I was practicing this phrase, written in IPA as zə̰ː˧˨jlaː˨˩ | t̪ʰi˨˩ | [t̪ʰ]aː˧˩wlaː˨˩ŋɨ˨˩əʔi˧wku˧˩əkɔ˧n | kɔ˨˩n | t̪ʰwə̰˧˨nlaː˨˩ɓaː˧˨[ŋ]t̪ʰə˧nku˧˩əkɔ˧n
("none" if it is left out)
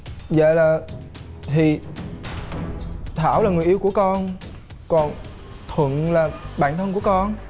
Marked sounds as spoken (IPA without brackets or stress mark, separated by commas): t̪ʰ, n